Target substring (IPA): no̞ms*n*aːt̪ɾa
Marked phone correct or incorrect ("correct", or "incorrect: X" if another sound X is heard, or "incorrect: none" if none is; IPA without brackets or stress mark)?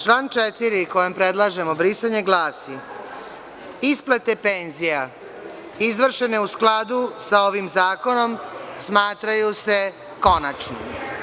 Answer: incorrect: m